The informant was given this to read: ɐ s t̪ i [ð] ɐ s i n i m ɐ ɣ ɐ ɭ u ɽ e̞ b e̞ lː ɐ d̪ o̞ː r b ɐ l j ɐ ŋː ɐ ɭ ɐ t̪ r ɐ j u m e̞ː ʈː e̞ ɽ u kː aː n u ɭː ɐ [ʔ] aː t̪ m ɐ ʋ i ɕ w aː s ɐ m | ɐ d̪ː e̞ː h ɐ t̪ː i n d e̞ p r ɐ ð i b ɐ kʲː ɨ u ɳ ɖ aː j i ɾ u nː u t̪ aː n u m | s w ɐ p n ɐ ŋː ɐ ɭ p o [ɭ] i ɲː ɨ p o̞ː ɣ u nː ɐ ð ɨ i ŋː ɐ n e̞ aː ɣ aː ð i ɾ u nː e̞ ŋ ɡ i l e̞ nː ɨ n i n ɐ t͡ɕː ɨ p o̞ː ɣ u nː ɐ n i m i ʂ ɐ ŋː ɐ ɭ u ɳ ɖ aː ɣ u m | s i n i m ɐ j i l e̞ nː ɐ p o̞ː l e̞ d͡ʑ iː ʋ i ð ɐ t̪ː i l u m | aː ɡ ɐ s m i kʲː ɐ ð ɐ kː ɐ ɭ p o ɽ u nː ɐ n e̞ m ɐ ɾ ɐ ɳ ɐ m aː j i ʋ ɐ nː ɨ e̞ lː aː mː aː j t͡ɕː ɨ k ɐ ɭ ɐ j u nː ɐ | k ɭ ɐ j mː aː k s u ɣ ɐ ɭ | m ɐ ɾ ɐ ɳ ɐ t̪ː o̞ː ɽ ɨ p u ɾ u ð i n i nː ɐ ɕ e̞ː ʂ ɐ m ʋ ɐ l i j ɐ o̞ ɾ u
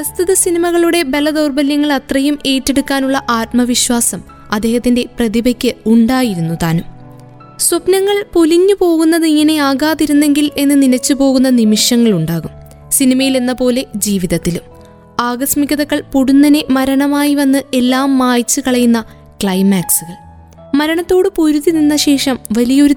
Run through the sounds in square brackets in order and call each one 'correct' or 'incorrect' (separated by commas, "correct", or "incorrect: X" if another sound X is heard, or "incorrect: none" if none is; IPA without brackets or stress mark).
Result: correct, correct, incorrect: l